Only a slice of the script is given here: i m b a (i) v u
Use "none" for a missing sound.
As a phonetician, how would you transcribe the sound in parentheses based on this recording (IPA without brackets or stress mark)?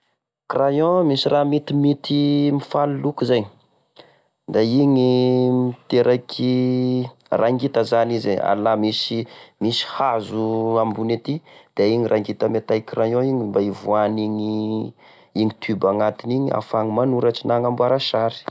i